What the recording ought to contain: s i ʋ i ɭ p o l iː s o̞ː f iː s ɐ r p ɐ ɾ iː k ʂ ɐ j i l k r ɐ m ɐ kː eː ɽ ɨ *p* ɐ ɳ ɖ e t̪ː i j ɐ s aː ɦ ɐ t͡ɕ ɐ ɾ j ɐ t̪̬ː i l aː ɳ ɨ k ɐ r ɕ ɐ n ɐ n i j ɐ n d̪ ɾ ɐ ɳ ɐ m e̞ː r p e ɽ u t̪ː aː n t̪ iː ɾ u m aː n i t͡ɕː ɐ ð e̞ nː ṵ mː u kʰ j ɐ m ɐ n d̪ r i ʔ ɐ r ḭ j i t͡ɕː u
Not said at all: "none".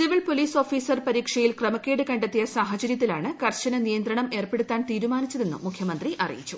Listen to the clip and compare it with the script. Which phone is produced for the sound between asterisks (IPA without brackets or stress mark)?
k